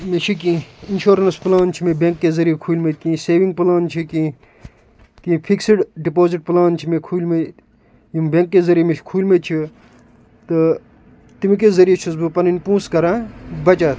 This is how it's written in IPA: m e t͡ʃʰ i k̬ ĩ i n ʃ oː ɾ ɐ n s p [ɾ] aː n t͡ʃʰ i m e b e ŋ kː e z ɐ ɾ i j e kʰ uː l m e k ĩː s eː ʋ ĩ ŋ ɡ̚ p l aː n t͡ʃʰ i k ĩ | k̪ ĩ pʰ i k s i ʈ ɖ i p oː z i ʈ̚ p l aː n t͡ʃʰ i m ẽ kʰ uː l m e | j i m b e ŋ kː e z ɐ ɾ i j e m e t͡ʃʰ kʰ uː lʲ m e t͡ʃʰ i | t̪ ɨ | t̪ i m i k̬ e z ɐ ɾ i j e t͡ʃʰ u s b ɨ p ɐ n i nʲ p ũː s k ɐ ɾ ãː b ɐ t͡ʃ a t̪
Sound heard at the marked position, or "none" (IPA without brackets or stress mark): l